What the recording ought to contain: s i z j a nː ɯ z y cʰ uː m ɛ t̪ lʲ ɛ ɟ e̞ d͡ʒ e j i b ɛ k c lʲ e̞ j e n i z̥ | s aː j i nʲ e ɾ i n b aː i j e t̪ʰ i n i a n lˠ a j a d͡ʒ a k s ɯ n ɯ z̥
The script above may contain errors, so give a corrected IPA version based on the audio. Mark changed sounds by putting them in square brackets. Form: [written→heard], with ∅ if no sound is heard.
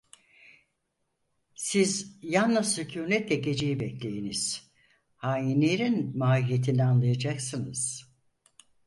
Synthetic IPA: s i z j a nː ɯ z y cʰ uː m ɛ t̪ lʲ ɛ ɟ e̞ d͡ʒ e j i b ɛ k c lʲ e̞ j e n i z̥ | [s→h] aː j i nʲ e ɾ i n [b→m] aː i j e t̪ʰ i n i a n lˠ a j a d͡ʒ a k s ɯ n ɯ z̥